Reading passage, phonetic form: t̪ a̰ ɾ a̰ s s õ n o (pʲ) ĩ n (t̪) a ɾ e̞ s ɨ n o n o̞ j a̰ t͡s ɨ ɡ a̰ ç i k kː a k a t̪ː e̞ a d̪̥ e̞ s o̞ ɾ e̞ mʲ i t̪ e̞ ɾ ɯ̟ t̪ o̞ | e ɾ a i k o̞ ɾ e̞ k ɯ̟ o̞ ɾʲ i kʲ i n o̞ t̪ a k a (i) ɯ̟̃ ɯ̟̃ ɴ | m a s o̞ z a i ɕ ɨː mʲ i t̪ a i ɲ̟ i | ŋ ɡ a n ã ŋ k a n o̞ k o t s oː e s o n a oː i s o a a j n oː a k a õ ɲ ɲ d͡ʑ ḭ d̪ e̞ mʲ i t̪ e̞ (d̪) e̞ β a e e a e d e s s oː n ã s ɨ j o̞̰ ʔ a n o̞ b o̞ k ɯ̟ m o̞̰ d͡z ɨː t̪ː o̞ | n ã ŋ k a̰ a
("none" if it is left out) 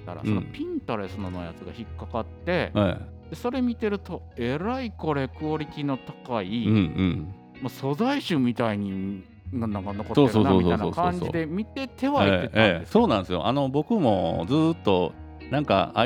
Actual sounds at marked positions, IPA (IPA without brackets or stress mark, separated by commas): pʲ, t̪, i, t̪